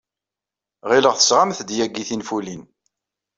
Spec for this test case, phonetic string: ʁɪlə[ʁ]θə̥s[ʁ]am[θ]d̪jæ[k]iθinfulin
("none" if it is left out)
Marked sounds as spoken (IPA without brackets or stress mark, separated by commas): ʁ, ʁ, θ, ɡ